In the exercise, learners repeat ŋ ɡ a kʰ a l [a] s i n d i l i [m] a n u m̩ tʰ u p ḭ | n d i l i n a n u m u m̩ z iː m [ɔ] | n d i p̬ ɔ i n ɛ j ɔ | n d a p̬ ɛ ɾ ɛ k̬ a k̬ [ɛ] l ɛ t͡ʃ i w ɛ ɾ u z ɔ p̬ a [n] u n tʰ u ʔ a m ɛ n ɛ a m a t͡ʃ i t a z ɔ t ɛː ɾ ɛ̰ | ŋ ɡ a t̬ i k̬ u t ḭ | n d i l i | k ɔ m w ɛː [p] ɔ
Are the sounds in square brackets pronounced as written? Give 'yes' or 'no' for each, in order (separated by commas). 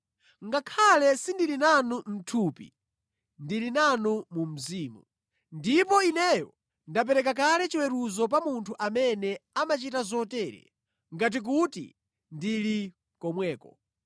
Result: no, no, no, no, no, no